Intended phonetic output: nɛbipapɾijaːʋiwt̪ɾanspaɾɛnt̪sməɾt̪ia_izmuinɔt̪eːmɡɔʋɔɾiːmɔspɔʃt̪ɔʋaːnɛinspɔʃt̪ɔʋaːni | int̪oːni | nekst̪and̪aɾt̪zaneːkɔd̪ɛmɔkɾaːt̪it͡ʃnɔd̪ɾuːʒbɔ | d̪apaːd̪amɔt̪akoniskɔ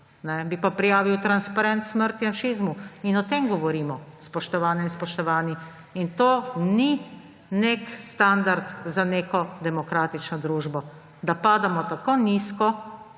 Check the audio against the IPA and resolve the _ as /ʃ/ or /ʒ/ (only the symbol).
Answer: ʃ